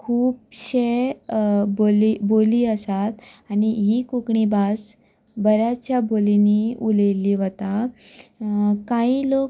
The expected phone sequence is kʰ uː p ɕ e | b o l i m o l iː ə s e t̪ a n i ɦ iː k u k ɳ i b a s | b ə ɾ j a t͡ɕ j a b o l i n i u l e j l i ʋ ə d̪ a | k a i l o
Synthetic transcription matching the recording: kʰ uː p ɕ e | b o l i b o l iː ə s a t̪ a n i ɦ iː k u k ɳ i b a s | b ə ɾ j a t͡ɕ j a b o l i n i u l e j l i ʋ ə t̪ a | k a i l o

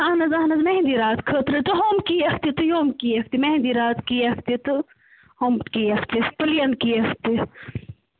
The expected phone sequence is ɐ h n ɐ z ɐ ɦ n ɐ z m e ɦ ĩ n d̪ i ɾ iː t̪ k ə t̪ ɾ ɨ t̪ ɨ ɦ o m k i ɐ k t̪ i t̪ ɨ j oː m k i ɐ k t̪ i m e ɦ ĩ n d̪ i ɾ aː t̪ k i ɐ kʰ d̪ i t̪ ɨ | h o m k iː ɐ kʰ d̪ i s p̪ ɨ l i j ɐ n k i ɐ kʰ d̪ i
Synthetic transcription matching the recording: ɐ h n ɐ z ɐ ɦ n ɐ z m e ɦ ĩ n d̪ i ɾ aː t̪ kʰ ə t̪ ɾ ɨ t̪ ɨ ɦ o m k i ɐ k t̪ i t̪ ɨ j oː m k i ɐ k t̪ i m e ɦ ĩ n d̪ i ɾ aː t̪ k i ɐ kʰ t̪ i t̪ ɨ | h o m k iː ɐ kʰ t̪ i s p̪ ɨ l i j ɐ n k i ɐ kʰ t̪ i

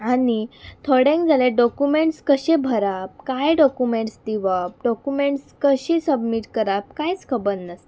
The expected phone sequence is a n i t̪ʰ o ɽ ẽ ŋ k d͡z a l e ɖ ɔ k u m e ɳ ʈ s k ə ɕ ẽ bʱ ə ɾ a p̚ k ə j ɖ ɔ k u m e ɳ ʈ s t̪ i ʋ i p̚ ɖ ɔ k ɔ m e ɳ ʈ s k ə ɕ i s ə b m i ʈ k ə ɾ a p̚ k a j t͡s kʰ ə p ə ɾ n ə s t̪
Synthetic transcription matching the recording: a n i t̪ʰ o ɽ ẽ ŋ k d͡z a l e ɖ ɔ k u m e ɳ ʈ s k ə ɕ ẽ bʱ ə ɾ a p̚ k a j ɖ ɔ k u m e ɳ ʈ s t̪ i ʋ a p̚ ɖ ɔ k u m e ɳ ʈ s k ə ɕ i s ə b m i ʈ k ə ɾ a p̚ k a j t͡s kʰ ə b ə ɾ n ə s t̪

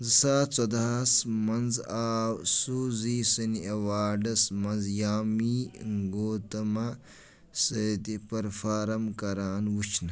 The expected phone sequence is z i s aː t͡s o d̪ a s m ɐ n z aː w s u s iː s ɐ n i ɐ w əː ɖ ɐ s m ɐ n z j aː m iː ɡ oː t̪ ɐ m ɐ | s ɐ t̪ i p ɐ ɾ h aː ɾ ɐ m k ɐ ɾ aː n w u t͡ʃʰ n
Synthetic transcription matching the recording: z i s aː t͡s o d̪ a s m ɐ n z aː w s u z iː s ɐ n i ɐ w aː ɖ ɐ s m ɐ n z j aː m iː ɡ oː t̪ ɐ m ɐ | s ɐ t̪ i p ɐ ɾ f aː ɾ ɐ m k ɐ ɾ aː n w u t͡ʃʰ n

